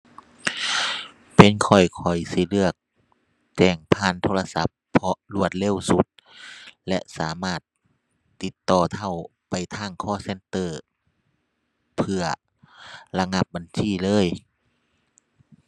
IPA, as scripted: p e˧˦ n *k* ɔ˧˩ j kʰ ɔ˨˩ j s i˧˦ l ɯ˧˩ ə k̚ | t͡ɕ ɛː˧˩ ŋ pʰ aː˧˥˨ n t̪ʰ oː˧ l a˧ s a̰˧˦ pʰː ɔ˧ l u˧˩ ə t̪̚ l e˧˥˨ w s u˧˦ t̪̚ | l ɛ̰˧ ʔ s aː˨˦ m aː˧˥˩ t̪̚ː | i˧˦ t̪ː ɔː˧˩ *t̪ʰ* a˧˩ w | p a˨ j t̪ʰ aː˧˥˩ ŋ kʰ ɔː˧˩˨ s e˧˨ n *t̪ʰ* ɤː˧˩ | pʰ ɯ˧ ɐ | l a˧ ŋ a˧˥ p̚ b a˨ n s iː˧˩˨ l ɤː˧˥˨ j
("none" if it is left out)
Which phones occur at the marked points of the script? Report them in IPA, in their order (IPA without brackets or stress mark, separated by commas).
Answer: kʰ, t̪ʰ, t̪